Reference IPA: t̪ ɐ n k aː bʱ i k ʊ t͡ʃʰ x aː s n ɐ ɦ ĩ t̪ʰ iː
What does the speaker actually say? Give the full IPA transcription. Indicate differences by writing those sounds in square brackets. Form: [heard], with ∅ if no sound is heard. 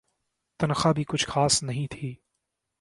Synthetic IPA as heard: t̪ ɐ n [x] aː bʱ i k ʊ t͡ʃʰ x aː s n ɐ ɦ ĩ t̪ʰ iː